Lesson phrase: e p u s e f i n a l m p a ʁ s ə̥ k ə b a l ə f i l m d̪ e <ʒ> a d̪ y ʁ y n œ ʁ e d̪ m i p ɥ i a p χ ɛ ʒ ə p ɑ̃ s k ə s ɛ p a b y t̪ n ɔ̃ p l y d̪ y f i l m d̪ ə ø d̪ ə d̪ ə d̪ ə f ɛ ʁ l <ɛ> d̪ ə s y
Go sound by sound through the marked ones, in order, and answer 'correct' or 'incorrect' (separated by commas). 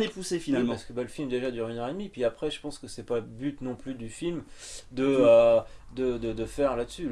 correct, incorrect